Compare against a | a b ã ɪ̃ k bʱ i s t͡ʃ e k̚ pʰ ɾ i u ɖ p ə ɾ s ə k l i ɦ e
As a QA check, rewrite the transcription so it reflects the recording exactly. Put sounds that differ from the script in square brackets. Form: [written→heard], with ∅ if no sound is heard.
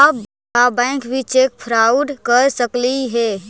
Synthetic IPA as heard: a | a b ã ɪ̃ k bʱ i [s→∅] t͡ʃ e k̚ pʰ ɾ [i→a] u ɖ [p→k] ə ɾ s ə k l i ɦ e